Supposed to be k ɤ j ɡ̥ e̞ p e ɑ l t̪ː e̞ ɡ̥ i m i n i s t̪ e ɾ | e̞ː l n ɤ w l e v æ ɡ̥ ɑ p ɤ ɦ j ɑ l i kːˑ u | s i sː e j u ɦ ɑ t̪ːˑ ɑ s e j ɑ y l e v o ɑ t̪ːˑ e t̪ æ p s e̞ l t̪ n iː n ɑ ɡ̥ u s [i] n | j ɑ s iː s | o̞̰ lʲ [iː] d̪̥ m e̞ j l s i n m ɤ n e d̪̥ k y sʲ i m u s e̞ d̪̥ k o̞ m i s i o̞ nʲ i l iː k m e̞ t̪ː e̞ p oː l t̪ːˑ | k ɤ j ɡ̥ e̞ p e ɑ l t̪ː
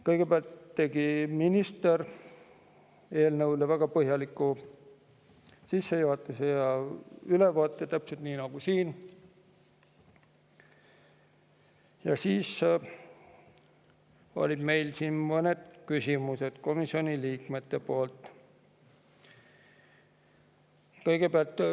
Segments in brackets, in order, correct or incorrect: incorrect, incorrect

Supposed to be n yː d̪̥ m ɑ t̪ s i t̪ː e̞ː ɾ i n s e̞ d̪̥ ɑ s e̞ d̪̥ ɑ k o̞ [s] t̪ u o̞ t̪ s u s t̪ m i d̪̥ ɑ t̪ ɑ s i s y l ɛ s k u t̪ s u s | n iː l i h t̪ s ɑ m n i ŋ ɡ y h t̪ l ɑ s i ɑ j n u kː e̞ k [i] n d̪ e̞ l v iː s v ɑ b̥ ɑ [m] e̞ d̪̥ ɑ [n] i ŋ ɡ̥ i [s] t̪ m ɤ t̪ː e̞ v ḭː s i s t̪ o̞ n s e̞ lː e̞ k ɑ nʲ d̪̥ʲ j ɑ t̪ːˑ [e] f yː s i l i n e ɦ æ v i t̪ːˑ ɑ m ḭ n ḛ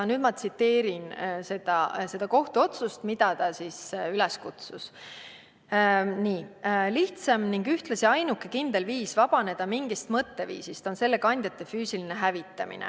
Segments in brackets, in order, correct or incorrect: incorrect, correct, incorrect, incorrect, correct, correct

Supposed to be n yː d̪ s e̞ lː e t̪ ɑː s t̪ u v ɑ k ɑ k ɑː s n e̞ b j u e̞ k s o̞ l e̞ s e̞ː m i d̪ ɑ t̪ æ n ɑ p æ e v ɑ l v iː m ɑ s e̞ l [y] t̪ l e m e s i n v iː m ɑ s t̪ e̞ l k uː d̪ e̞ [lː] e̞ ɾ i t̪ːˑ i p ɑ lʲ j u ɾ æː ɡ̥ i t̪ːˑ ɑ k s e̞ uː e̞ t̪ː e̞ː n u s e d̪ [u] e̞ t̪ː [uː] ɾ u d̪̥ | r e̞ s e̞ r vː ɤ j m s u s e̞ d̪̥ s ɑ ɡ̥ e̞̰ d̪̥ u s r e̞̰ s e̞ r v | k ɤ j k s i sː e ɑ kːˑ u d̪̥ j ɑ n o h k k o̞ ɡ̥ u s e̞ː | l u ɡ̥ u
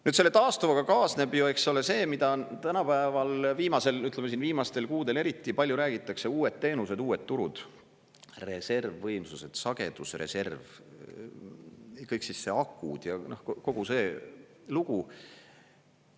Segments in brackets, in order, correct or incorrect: correct, incorrect, incorrect, incorrect

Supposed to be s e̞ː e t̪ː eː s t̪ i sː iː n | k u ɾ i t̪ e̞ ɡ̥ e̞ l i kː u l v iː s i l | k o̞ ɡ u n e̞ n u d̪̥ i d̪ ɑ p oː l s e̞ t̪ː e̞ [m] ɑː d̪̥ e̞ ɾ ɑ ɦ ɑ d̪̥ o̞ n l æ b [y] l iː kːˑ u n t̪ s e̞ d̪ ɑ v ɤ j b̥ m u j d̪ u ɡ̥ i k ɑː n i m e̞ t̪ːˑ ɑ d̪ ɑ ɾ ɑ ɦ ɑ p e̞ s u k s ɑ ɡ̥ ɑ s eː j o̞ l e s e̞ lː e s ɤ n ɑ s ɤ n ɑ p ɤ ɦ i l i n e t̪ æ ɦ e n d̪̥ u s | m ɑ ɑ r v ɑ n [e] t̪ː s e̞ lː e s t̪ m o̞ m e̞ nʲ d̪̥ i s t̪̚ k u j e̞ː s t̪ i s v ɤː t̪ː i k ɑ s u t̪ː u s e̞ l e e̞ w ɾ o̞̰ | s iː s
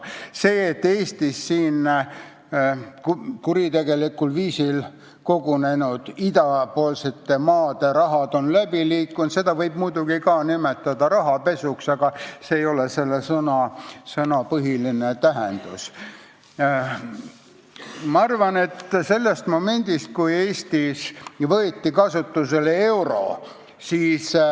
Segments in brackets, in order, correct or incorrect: correct, incorrect, correct

